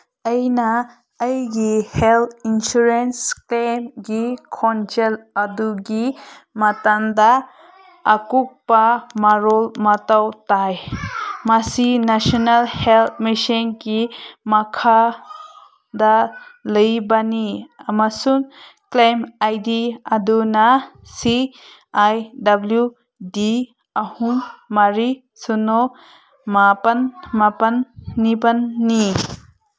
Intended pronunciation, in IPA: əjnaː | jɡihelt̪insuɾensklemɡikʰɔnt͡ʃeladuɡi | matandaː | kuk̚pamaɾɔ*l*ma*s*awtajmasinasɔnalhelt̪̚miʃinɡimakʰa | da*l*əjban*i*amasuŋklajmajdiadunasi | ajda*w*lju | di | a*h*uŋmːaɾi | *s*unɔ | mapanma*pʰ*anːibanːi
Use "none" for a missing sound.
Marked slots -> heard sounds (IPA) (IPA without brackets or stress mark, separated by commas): l, t, l, i, b, h, s, p